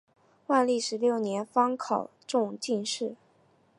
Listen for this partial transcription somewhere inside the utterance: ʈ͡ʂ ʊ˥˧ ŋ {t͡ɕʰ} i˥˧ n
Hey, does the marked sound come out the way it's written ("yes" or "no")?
no